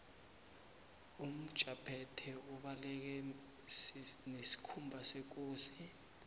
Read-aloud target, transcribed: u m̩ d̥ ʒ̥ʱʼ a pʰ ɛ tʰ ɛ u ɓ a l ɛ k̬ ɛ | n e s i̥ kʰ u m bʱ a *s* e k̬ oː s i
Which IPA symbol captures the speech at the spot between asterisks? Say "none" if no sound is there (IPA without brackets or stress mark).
s